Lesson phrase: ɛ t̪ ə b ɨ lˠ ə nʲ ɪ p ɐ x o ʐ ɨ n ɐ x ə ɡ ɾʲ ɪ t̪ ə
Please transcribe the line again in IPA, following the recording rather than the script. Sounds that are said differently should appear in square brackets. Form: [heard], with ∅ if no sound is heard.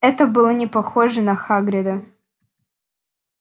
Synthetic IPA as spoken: ɛ t̪ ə b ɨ lˠ ə nʲ ɪ p ɐ x o ʐ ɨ n ɐ x [a] ɡ ɾʲ ɪ [d̪] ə